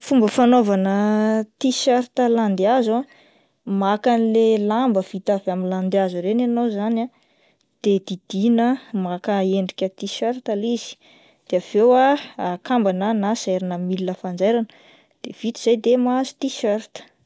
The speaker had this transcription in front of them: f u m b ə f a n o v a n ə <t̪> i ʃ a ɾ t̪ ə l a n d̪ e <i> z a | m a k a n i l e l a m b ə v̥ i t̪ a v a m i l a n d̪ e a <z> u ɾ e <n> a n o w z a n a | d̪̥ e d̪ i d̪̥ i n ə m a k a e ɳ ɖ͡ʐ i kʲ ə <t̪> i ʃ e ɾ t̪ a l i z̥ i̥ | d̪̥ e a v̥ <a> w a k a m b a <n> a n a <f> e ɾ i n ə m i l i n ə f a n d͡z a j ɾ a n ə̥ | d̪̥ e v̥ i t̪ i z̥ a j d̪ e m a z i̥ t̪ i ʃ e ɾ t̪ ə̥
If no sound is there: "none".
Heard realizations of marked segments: t̪, a, z, n, t̪, e, n, s

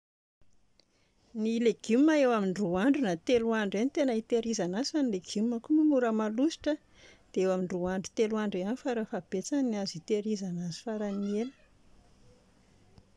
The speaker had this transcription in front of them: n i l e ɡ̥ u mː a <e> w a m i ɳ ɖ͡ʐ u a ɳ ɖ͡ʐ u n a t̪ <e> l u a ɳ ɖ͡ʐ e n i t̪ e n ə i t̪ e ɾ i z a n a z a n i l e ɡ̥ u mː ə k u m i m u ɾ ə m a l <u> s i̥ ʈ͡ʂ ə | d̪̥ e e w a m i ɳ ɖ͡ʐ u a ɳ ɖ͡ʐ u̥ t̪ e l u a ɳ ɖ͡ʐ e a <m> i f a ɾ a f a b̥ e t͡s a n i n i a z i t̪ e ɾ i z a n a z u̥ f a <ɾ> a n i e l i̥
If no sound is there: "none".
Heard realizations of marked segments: e, e, u, n, ɾ

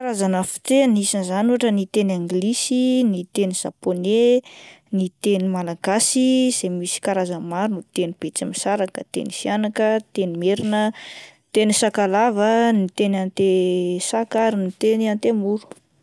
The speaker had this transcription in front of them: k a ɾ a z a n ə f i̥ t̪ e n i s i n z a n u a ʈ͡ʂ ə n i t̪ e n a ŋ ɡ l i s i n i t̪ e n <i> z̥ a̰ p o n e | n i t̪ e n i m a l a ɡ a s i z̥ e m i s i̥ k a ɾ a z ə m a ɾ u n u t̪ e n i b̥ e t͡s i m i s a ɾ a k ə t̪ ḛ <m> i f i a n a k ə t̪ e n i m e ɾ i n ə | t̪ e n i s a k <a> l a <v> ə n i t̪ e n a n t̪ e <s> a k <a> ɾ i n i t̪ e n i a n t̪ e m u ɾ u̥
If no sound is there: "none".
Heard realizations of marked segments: i, n, a, v, s, a

